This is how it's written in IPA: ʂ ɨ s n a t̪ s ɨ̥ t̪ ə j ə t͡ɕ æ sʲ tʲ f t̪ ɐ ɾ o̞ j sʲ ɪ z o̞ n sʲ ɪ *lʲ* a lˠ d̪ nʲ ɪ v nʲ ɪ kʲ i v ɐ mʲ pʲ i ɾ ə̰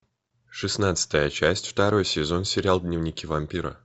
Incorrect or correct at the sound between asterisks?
incorrect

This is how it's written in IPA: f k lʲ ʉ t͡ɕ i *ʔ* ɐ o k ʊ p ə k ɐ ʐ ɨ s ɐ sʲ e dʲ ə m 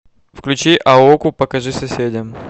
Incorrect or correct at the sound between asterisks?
correct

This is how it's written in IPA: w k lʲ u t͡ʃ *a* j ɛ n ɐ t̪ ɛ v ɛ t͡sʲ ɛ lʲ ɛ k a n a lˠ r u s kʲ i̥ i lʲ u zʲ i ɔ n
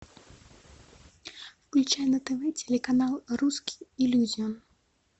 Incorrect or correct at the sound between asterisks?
correct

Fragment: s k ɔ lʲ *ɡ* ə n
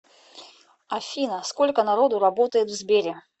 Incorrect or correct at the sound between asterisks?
incorrect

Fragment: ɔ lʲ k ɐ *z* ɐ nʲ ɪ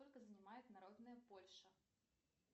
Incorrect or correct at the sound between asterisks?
correct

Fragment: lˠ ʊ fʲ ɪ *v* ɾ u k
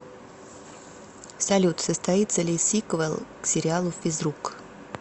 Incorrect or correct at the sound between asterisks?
incorrect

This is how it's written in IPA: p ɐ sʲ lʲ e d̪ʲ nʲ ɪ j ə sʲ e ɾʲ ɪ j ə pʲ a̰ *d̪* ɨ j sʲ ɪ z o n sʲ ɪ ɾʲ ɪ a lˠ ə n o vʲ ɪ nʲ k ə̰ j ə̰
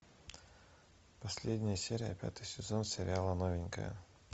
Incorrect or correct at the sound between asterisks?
incorrect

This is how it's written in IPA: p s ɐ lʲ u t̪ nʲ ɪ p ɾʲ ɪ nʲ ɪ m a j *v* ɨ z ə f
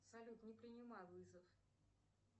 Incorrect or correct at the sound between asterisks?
correct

